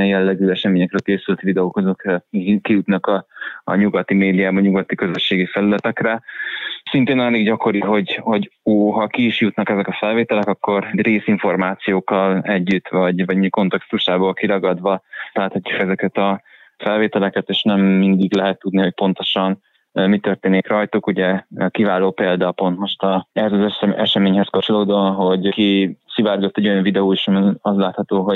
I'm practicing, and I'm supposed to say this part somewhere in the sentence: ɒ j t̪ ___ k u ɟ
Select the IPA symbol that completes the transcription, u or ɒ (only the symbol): u